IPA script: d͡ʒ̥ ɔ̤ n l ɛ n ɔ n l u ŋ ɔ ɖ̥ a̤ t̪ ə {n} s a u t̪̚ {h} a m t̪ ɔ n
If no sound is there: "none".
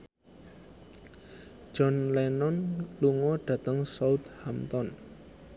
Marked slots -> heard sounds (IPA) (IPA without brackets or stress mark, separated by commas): ŋ, h